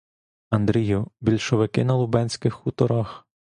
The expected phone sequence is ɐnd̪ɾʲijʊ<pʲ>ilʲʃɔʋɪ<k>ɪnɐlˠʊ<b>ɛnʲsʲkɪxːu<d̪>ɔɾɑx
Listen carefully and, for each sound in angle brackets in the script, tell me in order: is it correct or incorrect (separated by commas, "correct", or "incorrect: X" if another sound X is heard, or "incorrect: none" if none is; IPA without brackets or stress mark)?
incorrect: bʲ, correct, correct, incorrect: t̪